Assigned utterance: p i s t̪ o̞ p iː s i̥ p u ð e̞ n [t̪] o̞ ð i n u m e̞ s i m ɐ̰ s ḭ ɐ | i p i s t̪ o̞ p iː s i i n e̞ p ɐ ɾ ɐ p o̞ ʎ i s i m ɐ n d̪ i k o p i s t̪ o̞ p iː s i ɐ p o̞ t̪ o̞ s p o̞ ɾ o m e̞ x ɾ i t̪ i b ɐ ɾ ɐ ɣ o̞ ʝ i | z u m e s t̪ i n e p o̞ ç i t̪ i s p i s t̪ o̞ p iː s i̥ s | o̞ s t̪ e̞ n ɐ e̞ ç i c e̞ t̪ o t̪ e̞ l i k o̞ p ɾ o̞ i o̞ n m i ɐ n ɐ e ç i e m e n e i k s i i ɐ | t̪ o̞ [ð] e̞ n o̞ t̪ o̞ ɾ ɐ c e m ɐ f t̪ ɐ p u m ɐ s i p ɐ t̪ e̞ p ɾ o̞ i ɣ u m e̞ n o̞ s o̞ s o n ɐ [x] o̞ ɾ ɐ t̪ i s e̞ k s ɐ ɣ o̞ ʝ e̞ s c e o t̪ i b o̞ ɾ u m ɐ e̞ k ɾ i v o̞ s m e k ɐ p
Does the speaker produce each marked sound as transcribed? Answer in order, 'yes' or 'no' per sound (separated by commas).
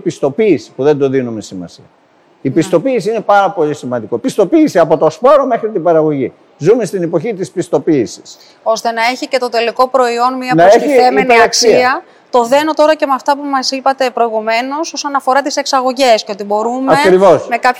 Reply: no, yes, no